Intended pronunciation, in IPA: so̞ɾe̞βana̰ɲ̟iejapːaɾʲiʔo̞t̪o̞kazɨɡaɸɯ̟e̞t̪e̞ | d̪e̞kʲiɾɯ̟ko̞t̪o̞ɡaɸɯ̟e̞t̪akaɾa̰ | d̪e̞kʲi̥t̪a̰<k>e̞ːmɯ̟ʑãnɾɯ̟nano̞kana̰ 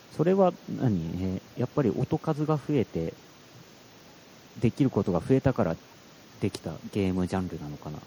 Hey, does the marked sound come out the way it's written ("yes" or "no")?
no